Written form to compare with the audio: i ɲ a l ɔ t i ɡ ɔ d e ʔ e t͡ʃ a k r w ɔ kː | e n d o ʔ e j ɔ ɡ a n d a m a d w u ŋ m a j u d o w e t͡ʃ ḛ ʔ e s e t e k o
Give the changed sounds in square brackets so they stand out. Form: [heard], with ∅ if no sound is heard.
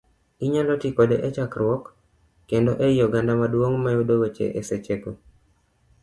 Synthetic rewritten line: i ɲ a l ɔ t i [k] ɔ d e ʔ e t͡ʃ a k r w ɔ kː | e n d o ʔ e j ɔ ɡ a n d a m a d w [o] ŋ m a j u d o w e t͡ʃ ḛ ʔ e s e [t͡ʃ] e k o